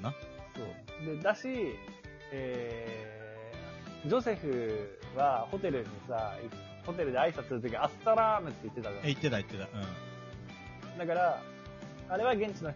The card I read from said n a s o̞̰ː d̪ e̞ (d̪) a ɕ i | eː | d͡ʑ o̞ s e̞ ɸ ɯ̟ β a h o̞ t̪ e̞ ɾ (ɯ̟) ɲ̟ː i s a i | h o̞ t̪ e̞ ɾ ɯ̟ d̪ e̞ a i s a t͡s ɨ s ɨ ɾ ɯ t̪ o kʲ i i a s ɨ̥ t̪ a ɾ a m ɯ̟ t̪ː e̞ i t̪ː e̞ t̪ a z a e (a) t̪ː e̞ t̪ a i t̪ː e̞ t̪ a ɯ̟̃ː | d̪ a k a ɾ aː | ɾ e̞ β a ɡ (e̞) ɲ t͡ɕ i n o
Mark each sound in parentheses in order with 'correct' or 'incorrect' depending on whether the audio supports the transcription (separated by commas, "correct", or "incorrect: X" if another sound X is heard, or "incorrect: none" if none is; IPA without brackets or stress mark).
correct, correct, incorrect: i, incorrect: ẽ̞